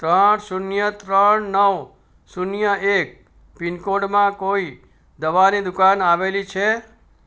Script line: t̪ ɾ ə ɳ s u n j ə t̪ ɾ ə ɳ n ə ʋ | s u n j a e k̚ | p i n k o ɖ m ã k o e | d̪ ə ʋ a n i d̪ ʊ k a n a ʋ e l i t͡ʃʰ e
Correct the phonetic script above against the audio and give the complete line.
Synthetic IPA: t̪ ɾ ə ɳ s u n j ə t̪ ɾ ə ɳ n ə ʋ | s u n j ə e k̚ | p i n k o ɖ m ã k o i | d̪ ə ʋ a n i d̪ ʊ k a n a ʋ e l i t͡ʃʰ e